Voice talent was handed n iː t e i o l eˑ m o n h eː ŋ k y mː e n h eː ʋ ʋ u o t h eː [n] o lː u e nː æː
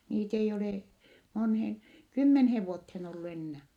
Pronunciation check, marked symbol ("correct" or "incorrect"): correct